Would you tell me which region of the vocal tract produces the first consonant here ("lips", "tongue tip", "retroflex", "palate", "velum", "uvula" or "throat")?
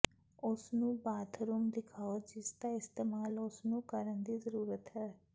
tongue tip